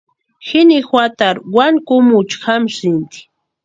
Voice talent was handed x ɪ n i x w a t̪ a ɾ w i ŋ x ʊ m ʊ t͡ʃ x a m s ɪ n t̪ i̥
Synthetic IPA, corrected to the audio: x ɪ n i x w a t̪ a ɾ w a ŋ k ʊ m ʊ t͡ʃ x a m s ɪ n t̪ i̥

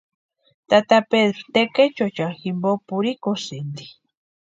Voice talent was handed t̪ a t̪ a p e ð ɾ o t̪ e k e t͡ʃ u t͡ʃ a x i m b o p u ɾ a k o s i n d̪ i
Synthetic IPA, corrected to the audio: t̪ a t̪ a p e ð ɾ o t̪ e k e t͡ʃ o t͡ʃ a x i m b o p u ɾ i k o s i n d̪ i

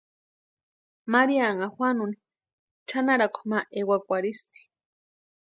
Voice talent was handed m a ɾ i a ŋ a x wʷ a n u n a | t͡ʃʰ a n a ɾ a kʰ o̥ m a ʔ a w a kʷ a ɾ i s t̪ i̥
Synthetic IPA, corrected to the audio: m a ɾ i a ŋ a x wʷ a n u n i | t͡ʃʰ a n a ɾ a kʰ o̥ m a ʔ e w a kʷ a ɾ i s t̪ i̥

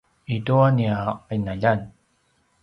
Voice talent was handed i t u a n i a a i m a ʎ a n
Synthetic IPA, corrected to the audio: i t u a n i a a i n a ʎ a n

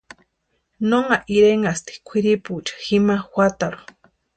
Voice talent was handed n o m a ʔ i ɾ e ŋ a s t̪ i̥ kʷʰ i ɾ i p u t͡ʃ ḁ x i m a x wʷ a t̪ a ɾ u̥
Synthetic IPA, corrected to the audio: n o ŋ a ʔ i ɾ e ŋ a s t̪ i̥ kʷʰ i ɾ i p u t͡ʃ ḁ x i m a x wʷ a t̪ a ɾ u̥

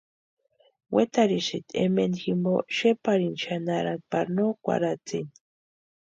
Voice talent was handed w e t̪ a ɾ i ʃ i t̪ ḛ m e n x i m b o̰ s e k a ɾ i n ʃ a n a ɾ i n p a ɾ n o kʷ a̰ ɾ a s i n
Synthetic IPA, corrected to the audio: w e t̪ a ɾ i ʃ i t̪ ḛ m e n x i m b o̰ ʃ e p a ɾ i n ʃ a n a ɾ a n p a ɾ n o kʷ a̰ ɾ a t͡s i n

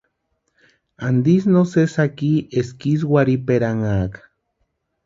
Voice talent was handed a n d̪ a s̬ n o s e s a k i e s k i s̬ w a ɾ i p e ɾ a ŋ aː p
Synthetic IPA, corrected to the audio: a n d̪ i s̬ n o s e s a k i e s k i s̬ w a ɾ i p e ɾ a ŋ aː k

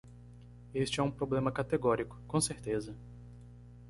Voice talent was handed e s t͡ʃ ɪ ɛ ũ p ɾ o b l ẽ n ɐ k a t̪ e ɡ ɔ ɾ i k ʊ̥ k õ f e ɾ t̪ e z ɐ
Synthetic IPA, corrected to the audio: e s t͡ʃ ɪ ɛ ũ p ɾ o b l ẽ m ɐ k a t̪ e ɡ ɔ ɾ i k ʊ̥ k õ s e ɾ t̪ e z ɐ

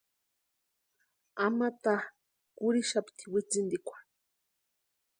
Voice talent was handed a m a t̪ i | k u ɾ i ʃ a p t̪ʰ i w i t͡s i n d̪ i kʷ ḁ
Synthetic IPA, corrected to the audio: a m a t̪ a | k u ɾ i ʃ a p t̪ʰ i w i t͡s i n d̪ i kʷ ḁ

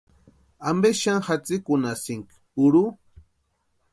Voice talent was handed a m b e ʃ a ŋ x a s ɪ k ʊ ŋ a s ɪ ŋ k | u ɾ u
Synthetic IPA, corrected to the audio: a m b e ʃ a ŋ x a t͡s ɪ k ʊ n a s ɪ ŋ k | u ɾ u

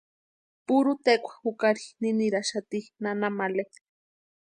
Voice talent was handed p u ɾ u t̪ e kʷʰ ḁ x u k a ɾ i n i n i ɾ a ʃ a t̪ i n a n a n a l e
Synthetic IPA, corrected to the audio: p u ɾ u t̪ e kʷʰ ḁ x u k a ɾ i n i n i ɾ a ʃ a t̪ i n a n a m a l e

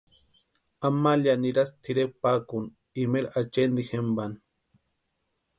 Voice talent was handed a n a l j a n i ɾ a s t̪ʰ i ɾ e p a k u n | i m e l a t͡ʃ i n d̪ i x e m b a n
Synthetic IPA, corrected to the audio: a m a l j a n i ɾ a s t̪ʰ i ɾ e p a k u n | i m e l a t͡ʃ e n d̪ i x e m b a n

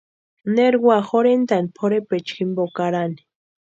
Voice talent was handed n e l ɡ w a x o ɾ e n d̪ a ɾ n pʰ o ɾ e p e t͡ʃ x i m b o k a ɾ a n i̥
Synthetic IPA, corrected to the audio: n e ɾ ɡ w a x o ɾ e n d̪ a n pʰ o ɾ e p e t͡ʃ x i m b o k a ɾ a n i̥

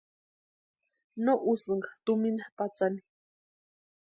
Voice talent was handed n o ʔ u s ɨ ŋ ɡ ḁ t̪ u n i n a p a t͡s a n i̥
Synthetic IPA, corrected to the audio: n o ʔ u s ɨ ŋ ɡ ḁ t̪ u m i n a p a t͡s a n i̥

